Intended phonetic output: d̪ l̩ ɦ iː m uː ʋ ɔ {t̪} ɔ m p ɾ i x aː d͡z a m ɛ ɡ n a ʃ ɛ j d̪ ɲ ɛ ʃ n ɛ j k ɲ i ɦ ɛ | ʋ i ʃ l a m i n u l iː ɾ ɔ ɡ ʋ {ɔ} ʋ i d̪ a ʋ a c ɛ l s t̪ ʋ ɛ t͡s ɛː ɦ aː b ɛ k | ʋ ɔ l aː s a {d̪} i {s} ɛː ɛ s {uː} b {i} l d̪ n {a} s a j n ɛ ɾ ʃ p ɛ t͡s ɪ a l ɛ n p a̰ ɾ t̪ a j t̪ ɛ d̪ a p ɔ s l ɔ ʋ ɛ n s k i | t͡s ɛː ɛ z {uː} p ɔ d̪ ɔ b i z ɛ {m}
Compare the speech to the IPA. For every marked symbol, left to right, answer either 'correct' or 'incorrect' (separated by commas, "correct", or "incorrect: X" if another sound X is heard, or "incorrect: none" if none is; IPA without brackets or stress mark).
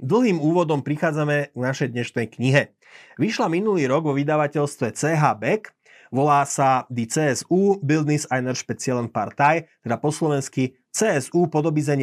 incorrect: d̪, correct, correct, incorrect: t͡s, correct, correct, incorrect: i, correct, incorrect: ɲ